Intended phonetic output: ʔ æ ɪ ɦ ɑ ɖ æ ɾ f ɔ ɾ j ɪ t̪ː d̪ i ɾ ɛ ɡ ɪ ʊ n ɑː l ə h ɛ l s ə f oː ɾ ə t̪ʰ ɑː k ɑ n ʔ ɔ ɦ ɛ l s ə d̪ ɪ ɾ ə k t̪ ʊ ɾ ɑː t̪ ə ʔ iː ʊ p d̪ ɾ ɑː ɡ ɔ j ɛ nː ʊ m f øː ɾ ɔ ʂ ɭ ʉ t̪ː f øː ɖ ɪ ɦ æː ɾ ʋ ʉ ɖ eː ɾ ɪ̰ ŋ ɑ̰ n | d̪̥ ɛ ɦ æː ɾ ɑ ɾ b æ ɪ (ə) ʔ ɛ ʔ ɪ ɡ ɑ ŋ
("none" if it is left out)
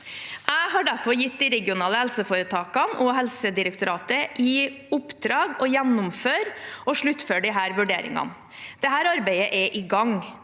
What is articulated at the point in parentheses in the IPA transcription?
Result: ə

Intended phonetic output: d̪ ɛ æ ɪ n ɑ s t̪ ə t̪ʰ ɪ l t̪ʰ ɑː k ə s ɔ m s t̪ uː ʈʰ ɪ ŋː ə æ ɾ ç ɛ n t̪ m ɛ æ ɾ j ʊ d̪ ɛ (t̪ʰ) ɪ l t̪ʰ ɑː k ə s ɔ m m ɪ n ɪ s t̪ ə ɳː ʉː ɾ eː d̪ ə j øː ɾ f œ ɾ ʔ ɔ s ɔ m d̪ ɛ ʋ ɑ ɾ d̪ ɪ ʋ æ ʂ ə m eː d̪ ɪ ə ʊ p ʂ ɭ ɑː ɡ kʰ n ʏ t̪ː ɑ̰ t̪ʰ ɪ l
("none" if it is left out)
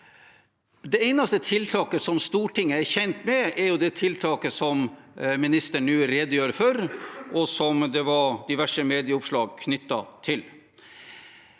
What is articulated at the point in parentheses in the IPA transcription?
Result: t̪ʰ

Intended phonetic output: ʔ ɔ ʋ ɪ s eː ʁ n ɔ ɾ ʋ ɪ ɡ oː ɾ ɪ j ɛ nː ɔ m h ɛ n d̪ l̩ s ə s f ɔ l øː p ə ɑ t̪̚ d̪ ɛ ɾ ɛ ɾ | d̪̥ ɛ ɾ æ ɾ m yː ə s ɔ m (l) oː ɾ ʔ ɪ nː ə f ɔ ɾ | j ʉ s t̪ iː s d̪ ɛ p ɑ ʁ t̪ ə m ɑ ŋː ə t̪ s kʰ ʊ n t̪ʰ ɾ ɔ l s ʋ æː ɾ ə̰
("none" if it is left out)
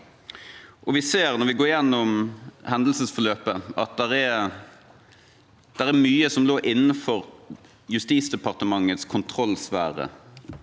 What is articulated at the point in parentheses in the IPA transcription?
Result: l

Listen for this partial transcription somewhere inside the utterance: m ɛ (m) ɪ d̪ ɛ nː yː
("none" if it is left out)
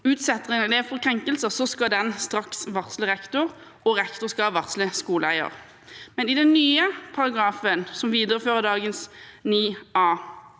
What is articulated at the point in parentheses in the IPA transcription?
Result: n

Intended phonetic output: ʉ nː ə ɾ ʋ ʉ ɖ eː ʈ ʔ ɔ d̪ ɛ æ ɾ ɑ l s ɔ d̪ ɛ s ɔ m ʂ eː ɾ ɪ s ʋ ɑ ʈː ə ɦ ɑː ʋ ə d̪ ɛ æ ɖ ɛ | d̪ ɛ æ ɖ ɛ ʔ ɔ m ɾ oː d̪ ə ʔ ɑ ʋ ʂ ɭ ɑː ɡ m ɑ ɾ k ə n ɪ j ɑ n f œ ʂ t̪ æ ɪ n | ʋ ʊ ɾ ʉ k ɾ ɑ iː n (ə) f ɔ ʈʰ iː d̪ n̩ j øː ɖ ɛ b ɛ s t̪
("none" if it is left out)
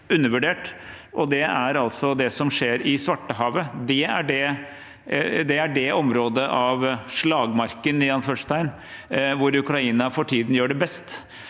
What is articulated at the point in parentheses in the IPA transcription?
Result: ɑ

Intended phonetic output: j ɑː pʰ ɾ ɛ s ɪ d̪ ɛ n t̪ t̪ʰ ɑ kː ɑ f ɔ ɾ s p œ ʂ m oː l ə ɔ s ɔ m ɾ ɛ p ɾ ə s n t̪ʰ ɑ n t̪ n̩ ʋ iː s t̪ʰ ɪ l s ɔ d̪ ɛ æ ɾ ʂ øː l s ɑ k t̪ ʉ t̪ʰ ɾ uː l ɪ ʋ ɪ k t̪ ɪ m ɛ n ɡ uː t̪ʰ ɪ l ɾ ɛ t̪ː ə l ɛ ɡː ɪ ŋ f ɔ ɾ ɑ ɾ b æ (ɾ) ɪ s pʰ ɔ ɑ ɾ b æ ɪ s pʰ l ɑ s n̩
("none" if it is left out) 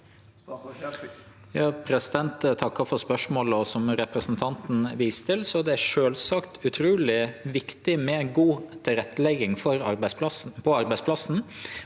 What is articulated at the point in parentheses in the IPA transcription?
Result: none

